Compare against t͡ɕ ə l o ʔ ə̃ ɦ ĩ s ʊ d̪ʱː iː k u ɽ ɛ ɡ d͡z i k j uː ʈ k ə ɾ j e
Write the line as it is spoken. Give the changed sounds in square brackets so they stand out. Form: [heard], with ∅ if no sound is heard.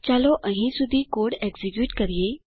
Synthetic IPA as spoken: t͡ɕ [a] l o ʔ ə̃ ɦ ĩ s [u] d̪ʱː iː k [o] ɽ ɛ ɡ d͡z i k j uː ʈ k ə ɾ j e